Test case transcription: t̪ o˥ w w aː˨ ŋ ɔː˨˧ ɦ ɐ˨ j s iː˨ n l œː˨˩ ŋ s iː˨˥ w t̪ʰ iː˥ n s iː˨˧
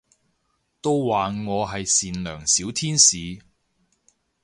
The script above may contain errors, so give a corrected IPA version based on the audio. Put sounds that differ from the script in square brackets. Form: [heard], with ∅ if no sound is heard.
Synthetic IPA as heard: t̪ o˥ w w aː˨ ŋ ɔː˨˧ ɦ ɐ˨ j s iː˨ n l œː˨˩ ŋ s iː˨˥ w t̪ʰ iː˥ n s iː˨˧